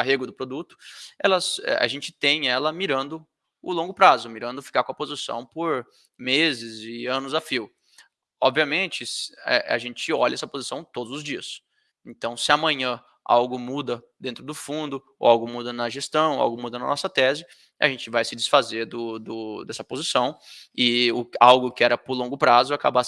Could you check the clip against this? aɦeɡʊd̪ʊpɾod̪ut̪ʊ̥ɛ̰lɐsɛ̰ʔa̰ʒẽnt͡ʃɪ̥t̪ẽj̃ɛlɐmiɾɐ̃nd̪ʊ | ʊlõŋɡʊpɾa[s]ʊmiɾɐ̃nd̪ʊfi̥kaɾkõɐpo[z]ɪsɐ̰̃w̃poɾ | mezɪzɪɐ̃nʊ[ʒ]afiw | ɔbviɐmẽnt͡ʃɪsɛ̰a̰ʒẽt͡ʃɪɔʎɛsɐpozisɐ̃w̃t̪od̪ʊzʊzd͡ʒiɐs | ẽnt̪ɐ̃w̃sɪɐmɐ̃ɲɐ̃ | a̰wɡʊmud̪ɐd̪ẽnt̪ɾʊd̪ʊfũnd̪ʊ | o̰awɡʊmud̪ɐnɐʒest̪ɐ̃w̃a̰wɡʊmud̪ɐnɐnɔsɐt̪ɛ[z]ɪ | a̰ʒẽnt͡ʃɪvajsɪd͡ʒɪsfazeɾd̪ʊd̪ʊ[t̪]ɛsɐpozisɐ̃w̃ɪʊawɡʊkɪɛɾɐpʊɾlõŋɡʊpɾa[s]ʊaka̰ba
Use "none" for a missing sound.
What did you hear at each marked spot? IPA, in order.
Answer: z, z, z, z, d̪, z

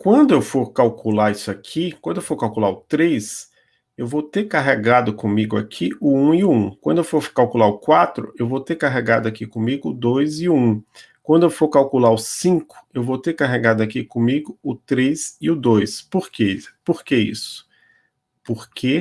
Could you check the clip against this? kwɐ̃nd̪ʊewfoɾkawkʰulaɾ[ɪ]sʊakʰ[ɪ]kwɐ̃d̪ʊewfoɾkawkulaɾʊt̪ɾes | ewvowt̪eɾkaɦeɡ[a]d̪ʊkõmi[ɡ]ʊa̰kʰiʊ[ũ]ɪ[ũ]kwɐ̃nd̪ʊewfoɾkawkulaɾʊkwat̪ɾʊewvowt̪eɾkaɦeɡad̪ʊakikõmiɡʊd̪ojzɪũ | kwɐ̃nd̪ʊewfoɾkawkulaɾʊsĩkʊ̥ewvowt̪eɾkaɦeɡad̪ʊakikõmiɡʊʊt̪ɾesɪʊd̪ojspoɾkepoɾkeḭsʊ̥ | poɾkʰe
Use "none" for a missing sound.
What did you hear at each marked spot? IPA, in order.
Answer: i, i, a, ɡ, ũ, ũ

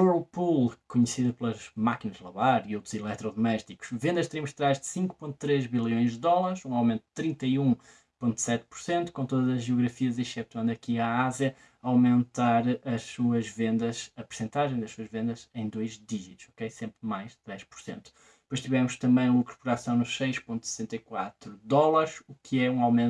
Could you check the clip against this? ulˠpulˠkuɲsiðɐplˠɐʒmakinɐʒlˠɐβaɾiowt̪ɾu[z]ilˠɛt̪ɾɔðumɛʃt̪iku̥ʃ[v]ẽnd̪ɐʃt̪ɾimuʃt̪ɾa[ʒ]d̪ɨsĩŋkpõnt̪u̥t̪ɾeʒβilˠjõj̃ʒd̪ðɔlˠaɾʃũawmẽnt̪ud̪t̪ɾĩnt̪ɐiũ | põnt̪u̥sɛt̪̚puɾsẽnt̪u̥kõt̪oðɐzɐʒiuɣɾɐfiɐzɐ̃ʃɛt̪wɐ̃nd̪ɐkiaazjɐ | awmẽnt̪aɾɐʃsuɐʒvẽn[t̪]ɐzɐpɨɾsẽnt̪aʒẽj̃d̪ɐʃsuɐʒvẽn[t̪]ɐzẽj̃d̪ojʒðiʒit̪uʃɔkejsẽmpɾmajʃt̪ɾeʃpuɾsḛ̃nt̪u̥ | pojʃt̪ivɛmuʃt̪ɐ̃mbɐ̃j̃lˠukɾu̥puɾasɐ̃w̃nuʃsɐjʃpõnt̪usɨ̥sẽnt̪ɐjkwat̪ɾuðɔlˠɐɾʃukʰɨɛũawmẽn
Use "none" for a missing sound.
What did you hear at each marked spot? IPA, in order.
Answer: z, v, ʒ, d̪, d̪

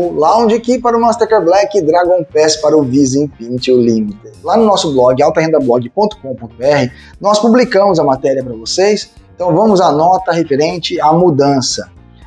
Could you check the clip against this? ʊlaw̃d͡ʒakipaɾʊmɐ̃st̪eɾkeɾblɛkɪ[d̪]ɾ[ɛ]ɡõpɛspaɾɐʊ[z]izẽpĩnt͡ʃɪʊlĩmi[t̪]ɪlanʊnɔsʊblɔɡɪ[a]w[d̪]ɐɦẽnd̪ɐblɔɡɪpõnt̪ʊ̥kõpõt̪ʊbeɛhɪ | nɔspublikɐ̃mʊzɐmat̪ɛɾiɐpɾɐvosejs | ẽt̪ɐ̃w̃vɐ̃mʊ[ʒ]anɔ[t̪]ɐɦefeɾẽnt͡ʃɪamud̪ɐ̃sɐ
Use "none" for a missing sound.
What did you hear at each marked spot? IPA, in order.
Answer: d̪, a, v, t̪, a, t̪, z, t̪

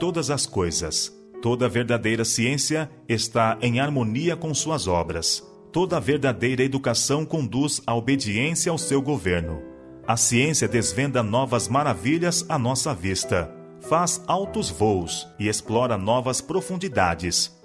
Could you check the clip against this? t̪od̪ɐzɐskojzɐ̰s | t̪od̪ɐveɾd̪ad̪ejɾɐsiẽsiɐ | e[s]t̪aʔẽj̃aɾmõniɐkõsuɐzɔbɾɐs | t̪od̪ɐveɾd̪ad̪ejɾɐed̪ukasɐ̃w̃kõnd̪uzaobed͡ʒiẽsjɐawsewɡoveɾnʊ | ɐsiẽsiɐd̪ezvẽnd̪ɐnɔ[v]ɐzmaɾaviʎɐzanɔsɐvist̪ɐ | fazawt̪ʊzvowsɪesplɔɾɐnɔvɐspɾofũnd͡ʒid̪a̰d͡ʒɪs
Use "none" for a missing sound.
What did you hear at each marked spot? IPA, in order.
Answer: s, v

